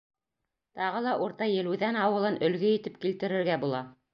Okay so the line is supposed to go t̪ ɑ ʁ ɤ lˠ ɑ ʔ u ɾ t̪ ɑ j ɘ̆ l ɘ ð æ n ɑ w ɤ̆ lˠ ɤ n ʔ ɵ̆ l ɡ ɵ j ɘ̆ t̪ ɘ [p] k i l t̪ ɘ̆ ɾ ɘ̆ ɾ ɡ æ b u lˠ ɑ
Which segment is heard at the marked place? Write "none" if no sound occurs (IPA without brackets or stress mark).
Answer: p